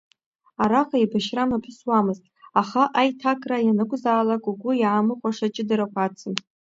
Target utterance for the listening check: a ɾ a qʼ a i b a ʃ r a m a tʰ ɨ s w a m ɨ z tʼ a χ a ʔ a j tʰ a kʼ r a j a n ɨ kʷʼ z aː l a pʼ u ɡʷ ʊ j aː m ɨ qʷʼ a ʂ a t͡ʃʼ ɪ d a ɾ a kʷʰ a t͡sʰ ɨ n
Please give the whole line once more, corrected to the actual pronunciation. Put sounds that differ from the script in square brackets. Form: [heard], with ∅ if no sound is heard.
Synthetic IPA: a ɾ a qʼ a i b a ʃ r a m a [pʰ] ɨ s w a m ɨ z tʼ a χ a ʔ a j tʰ a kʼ r a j a n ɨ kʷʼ z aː l a [kʼ] u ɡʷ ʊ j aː m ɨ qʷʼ a ʂ a t͡ʃʼ ɪ d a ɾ a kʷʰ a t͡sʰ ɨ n